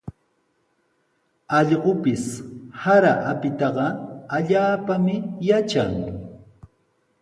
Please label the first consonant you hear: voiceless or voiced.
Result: voiced